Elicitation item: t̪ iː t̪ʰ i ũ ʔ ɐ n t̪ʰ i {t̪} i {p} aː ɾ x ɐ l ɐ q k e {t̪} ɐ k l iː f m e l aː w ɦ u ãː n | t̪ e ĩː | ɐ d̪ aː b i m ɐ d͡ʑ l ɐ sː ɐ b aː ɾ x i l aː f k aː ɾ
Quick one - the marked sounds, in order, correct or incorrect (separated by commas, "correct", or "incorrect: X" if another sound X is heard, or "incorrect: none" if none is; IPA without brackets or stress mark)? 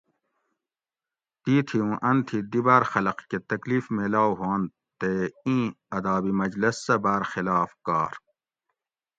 incorrect: d̪, incorrect: b, correct